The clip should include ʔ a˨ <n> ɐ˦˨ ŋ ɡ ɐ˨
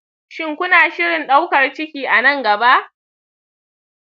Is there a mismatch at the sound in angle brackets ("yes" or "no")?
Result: no